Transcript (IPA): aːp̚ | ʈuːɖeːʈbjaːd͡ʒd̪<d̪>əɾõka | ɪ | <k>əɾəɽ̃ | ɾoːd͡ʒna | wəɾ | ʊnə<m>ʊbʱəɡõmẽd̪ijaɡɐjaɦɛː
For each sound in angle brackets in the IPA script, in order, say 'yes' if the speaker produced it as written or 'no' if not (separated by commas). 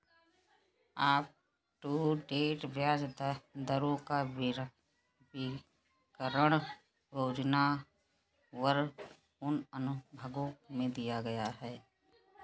yes, yes, no